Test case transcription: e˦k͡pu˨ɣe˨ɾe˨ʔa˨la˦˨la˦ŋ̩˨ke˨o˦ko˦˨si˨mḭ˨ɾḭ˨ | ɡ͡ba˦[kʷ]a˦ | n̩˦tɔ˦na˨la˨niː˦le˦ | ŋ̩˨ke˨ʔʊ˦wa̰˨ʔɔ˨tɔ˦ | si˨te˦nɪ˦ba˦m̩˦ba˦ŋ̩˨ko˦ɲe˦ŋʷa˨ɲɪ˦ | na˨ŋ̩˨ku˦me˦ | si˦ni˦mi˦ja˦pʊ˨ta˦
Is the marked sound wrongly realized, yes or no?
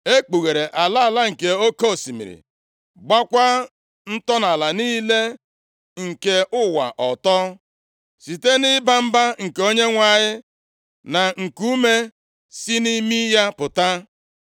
no